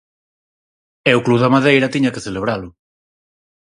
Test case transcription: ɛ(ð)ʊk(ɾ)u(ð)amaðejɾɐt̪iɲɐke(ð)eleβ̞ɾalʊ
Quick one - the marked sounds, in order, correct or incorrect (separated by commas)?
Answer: incorrect, incorrect, correct, incorrect